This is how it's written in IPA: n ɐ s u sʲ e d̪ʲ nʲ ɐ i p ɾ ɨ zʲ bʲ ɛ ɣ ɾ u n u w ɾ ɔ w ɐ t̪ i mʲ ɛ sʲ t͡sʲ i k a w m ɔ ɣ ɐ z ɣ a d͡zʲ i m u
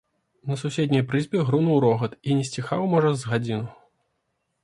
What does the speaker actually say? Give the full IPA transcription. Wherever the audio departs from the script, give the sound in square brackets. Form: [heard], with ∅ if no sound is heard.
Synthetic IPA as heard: n ɐ s u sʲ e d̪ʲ nʲ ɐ [j] p ɾ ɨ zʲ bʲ ɛ ɣ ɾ u n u w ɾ ɔ [ɣ] ɐ t̪ i [nʲ] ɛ sʲ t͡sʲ i [x] a w m ɔ [ʐ] ɐ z ɣ a d͡zʲ i [n] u